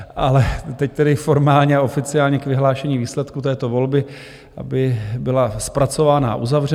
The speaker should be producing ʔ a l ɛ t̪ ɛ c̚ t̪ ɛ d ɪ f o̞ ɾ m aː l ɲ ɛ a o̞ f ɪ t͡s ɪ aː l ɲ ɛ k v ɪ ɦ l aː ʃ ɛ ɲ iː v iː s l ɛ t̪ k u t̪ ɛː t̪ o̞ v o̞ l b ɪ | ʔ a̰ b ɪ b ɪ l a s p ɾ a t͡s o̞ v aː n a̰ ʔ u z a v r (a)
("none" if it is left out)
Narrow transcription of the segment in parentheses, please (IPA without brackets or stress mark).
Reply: ɛ